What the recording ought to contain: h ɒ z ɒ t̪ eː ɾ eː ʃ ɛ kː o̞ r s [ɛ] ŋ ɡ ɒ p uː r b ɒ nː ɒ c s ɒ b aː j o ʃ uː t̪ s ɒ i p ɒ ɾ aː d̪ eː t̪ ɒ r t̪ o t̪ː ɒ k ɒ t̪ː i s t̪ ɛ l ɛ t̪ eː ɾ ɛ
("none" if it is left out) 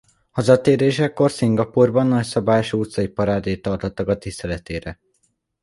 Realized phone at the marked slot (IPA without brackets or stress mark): i